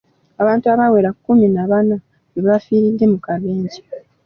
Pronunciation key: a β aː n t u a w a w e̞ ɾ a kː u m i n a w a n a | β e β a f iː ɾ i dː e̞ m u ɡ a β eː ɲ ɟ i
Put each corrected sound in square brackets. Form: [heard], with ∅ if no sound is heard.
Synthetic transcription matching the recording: a β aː n t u a [β] a w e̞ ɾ a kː u m i n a [β] a n a | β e β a f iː ɾ i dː e̞ m u [k] a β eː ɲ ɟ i